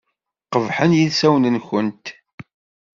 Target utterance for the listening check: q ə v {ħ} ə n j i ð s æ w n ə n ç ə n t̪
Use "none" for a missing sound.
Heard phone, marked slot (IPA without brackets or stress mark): ħ